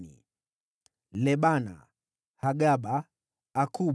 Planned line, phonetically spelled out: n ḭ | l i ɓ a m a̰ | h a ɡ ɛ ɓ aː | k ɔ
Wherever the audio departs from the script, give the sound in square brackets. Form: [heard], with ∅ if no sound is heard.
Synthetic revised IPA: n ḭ | l [ɛ] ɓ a [n] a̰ | h a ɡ [a] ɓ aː | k [u]